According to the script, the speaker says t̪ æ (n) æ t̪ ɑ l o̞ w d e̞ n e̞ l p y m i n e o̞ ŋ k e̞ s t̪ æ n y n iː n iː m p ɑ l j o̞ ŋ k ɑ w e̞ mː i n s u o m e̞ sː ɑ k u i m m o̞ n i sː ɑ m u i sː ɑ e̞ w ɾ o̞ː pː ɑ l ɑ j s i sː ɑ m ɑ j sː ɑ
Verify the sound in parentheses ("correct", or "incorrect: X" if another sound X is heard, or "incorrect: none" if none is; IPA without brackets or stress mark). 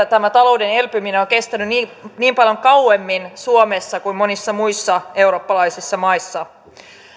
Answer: incorrect: m